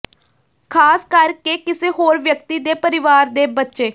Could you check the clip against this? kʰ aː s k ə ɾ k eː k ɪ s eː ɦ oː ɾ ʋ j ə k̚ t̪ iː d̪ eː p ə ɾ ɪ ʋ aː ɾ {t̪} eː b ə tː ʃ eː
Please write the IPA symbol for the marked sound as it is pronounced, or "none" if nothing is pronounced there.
d̪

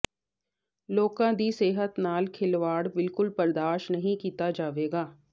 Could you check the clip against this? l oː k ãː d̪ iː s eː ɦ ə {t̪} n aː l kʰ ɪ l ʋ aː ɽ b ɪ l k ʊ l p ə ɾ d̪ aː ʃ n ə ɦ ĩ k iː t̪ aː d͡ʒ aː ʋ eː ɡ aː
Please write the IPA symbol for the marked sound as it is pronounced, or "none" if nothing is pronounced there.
t̪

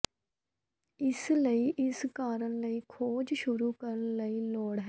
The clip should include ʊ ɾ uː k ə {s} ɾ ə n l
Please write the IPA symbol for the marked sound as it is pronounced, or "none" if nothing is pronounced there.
none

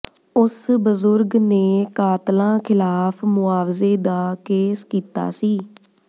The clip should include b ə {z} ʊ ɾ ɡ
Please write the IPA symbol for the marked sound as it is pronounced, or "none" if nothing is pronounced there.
z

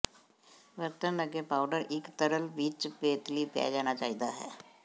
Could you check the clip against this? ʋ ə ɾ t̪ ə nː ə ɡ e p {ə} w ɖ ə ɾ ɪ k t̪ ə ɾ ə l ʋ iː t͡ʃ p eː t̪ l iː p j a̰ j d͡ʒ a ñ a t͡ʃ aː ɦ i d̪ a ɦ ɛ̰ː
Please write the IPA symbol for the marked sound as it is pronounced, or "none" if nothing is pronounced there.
a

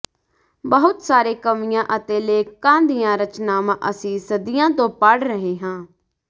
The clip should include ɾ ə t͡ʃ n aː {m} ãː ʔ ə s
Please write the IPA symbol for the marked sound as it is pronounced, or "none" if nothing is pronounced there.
m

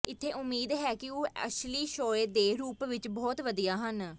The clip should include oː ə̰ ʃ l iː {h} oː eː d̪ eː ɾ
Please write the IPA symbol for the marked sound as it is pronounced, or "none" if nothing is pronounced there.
ʃ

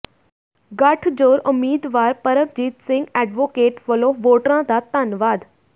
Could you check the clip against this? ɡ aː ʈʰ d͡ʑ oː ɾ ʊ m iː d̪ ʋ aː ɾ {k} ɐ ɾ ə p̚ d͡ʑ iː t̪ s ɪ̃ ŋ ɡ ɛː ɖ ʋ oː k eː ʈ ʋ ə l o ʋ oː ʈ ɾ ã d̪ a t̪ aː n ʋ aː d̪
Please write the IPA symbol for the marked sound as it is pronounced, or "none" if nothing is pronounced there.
p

